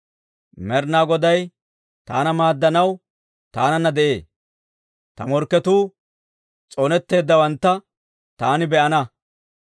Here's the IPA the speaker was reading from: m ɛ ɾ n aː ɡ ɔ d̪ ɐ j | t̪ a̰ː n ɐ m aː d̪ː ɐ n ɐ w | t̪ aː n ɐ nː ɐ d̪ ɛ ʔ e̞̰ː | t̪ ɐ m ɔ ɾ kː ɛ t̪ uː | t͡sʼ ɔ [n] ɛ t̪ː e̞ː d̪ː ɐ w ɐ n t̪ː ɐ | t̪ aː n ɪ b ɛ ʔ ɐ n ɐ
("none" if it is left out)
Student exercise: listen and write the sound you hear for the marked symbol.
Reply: n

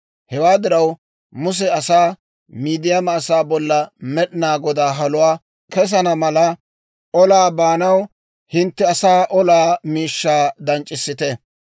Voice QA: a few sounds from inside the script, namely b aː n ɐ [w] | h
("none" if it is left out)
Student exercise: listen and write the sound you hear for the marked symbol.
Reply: w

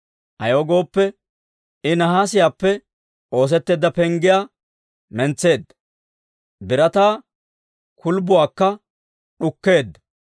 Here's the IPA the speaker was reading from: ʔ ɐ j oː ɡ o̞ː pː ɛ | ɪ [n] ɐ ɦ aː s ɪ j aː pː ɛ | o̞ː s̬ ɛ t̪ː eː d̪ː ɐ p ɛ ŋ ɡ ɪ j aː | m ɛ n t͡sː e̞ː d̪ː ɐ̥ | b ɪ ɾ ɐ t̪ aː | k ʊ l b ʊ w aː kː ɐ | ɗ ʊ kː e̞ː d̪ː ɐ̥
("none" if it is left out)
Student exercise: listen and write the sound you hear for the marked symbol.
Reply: n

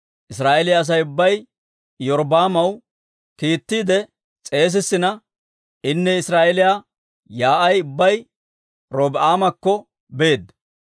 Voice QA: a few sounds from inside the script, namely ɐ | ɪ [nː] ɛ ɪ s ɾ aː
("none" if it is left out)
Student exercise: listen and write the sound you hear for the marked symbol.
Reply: nː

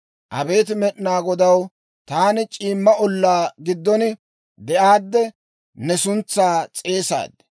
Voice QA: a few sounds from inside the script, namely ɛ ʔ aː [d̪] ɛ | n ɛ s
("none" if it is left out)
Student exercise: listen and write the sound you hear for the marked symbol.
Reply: d̪ː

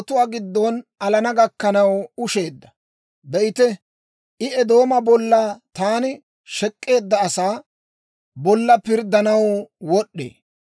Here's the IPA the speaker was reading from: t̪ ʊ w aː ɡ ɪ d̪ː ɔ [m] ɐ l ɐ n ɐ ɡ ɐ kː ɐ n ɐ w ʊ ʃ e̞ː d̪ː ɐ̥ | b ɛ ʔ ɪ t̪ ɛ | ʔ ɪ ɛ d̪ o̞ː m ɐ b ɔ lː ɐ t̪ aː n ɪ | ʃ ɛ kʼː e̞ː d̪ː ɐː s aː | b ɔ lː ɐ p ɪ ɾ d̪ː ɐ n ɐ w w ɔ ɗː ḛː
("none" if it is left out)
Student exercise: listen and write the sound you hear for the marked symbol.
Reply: n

